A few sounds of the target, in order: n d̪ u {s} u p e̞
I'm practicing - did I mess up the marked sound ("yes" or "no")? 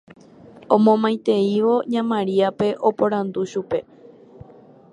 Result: yes